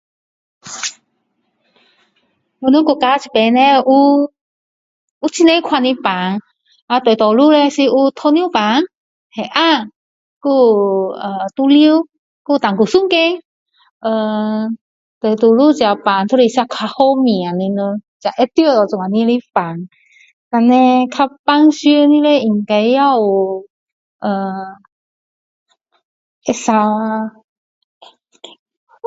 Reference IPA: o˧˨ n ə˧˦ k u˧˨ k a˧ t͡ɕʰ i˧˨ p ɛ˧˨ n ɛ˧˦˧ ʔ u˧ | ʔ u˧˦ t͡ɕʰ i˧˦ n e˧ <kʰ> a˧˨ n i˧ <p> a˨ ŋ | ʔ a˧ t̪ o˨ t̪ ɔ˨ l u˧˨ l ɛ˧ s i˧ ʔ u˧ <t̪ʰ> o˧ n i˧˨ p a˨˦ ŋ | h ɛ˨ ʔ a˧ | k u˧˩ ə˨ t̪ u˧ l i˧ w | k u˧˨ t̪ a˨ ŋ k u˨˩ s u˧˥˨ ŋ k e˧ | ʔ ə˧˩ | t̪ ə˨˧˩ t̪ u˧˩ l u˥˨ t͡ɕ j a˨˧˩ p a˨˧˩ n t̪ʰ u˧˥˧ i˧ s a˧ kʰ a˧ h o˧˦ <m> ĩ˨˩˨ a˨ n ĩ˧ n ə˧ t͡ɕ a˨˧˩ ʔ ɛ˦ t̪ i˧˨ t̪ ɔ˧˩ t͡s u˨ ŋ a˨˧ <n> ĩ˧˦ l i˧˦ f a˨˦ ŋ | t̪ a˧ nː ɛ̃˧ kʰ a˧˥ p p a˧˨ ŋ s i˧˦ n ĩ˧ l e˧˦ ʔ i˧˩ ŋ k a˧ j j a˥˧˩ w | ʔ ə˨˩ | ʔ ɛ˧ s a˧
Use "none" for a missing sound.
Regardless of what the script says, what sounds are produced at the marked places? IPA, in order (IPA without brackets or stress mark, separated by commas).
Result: kʰ, p, t̪ʰ, m, n